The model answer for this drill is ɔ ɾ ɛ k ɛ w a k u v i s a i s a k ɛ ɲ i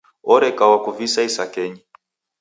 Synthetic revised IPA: ɔ ɾ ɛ k a w a k u v i s a i s a k ɛ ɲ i